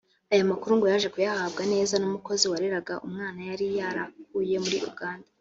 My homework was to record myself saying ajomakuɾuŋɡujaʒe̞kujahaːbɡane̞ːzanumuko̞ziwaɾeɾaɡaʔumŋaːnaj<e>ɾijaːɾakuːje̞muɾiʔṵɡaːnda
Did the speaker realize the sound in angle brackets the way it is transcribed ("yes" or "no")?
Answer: no